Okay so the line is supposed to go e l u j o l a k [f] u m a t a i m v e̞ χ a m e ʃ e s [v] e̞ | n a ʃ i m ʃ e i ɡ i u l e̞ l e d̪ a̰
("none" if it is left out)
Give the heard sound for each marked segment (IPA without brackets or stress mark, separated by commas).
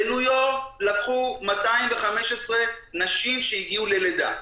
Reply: χ, ʁ